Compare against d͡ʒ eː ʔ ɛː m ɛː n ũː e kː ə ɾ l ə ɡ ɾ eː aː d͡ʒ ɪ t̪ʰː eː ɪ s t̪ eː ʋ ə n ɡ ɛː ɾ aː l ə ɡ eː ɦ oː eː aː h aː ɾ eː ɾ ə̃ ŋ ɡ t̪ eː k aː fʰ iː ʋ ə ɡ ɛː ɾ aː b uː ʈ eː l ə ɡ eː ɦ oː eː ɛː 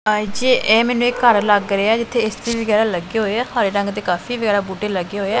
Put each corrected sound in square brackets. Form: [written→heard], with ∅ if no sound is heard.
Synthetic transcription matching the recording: d͡ʒ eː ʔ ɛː m ɛː n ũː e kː ə ɾ l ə ɡ ɾ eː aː d͡ʒ ɪ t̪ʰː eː ɪ s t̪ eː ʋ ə [n→∅] ɡ ɛː ɾ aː l ə ɡ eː ɦ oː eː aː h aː ɾ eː ɾ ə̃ ŋ ɡ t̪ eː k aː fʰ iː ʋ ə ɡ ɛː ɾ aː b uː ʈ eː l ə ɡ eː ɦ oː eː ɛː